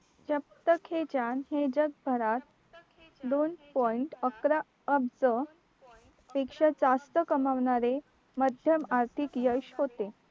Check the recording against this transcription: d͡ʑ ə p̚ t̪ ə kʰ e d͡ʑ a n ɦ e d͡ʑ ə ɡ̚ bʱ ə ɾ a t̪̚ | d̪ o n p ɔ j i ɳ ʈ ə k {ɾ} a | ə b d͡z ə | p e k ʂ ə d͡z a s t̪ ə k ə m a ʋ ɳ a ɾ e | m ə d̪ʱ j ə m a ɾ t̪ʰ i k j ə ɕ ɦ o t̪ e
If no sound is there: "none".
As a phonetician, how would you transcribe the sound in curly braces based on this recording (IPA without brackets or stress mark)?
ɾ